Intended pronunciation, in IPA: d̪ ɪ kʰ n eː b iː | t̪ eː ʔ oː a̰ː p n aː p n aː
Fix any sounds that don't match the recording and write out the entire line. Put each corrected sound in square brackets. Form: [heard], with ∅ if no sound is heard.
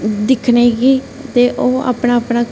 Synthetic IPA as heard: d̪ ɪ kʰ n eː [ɡ] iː | t̪ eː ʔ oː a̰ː p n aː p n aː